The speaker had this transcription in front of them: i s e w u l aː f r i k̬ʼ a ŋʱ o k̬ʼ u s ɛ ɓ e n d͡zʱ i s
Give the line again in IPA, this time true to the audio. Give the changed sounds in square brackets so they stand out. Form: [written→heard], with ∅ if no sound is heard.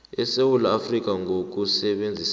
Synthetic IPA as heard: [i→ɛ] s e w u l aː f r i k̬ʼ a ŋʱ o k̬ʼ u s ɛ ɓ e n d͡zʱ i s